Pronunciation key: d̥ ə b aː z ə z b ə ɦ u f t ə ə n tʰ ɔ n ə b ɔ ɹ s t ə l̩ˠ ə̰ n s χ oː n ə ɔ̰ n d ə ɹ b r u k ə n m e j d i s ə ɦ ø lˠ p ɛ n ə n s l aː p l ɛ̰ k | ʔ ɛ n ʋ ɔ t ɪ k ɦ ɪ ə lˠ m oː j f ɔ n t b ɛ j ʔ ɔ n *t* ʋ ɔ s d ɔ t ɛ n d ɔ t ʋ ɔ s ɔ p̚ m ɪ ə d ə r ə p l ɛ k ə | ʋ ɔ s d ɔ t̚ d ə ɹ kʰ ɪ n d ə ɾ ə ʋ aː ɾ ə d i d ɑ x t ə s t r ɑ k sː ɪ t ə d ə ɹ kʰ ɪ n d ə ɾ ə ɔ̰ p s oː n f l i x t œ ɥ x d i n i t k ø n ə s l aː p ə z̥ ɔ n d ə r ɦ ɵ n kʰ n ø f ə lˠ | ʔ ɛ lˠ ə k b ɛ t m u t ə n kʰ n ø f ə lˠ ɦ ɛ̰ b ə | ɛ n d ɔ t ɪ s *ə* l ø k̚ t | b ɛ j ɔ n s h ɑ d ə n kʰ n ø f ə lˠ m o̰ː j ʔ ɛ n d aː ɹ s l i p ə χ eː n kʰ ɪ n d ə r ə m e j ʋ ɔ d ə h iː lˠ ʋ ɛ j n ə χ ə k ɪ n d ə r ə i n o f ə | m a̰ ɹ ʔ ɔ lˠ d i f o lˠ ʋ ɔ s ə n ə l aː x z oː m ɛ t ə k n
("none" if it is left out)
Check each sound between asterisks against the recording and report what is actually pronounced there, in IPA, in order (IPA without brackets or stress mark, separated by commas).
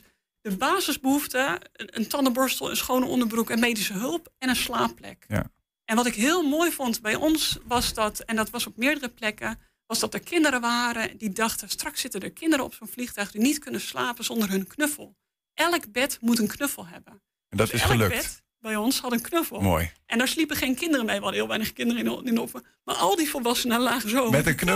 s, ə